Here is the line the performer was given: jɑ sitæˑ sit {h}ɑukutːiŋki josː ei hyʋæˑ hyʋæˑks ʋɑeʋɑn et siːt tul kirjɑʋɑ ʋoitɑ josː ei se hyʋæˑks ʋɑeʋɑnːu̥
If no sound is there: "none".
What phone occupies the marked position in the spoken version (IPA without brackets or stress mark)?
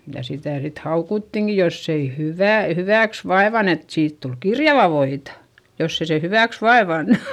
h